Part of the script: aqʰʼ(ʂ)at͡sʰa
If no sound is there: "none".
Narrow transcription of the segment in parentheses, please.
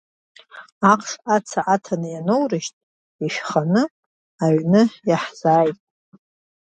ʂ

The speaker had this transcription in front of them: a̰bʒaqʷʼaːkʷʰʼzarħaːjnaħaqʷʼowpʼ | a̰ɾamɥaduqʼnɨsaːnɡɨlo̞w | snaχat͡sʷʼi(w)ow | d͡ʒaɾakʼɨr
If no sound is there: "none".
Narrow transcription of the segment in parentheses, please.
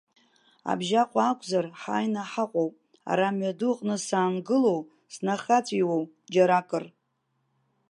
w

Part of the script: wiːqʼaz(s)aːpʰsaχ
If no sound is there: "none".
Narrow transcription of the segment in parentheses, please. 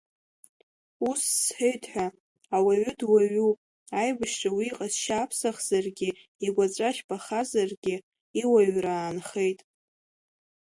ʃ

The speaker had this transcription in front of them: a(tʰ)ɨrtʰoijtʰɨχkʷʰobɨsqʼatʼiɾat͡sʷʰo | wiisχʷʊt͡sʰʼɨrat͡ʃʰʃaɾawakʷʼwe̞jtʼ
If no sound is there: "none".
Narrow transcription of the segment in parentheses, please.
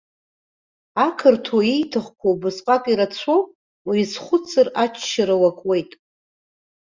kʰ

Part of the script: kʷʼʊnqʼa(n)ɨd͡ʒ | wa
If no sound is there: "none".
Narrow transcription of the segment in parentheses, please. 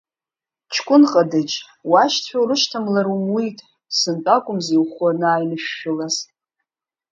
d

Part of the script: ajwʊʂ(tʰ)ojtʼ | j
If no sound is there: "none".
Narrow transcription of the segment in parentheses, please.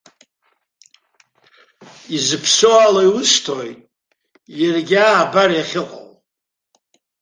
tʰ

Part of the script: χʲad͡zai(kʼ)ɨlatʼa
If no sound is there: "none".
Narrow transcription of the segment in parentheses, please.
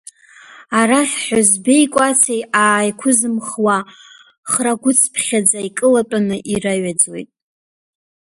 kʼ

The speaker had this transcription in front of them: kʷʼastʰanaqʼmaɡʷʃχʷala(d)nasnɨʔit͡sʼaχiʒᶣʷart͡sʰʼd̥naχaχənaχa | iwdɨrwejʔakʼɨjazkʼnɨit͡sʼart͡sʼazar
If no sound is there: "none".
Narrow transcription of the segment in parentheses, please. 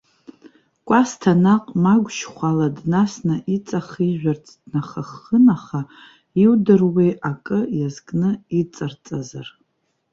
d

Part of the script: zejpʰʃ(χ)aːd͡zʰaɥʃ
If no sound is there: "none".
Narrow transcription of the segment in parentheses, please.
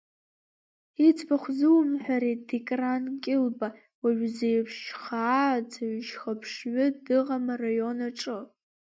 χ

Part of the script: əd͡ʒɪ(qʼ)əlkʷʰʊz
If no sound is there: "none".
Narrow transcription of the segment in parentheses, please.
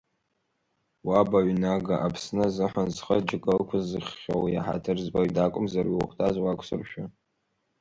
kʼ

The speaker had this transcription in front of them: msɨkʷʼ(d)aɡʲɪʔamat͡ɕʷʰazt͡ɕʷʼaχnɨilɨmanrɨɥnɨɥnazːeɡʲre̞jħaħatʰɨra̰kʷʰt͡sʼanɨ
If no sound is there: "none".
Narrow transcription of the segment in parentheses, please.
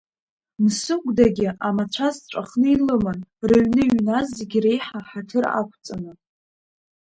d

